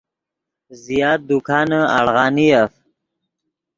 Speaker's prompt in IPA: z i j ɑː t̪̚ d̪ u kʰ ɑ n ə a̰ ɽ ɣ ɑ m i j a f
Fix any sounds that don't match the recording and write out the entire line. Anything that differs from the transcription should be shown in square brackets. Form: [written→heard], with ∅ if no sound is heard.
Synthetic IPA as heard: z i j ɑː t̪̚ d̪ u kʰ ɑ n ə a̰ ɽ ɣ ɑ [m→n] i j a f